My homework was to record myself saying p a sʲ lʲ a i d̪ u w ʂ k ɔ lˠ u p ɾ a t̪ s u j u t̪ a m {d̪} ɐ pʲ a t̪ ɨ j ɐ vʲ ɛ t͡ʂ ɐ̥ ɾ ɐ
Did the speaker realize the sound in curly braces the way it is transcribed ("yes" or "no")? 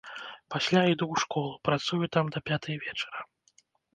yes